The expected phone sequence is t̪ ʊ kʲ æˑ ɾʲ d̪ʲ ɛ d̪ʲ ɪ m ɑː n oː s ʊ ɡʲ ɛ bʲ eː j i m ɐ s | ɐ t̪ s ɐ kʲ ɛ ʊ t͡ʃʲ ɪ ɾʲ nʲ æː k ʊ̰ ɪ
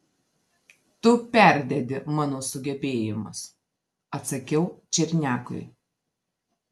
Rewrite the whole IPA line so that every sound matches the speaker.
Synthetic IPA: t̪ ʊ pʲ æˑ ɾʲ d̪ʲ ɛ d̪ʲ ɪ m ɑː n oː s ʊ ɡʲ ɛ bʲ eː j ɪ m ɐ s | ɐ t̪ s ɐ kʲ ɛ ʊ t͡ʃʲ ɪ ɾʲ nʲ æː k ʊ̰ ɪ